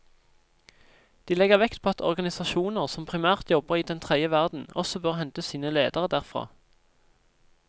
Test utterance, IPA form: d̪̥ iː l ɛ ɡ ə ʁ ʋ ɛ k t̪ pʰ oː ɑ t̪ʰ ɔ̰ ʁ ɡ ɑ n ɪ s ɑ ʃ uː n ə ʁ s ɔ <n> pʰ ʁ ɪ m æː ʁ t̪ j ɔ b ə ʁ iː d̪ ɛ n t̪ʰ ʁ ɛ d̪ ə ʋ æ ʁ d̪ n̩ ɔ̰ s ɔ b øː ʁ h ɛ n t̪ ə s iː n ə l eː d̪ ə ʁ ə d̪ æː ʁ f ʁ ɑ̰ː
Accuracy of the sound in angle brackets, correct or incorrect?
incorrect